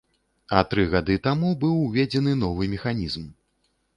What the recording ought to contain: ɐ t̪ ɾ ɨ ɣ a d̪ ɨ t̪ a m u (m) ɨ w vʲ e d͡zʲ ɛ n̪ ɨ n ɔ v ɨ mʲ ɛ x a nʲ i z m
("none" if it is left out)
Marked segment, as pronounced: b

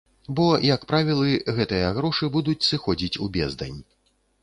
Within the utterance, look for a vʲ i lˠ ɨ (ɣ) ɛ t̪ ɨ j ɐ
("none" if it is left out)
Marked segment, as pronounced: ɣ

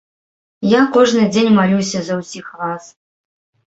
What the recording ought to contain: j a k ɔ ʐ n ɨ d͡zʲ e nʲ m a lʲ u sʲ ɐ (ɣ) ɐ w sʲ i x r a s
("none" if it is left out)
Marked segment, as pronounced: z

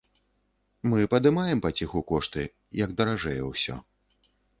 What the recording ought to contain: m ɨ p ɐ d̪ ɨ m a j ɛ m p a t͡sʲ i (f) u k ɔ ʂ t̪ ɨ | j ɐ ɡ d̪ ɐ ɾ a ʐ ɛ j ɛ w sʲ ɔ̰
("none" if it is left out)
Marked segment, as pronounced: x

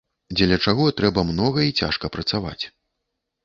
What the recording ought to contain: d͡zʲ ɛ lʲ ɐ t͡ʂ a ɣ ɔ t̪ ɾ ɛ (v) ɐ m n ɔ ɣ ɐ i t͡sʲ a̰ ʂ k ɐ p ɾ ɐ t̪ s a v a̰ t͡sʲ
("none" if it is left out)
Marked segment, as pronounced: b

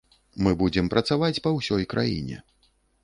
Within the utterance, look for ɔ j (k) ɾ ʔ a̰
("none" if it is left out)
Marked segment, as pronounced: k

